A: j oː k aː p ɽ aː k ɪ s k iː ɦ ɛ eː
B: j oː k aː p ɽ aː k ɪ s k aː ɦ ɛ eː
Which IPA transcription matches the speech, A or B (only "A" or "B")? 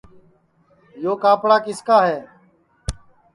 B